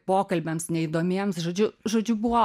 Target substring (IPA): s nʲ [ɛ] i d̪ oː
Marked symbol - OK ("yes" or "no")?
yes